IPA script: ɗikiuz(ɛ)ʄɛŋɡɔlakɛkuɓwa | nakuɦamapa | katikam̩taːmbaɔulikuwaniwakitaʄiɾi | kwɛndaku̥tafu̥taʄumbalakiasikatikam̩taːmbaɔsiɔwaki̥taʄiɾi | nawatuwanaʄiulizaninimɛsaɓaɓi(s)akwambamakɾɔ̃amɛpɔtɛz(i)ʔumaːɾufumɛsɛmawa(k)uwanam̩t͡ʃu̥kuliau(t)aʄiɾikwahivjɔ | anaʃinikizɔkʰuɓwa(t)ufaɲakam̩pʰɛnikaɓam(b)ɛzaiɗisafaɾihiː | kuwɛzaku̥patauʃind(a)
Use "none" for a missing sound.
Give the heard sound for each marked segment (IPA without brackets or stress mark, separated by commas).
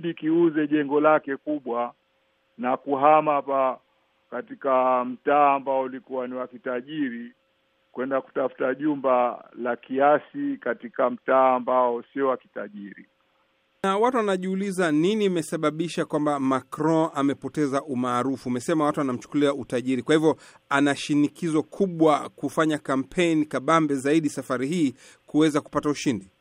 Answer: ɛ, ʃ, a, t, t, k, b, i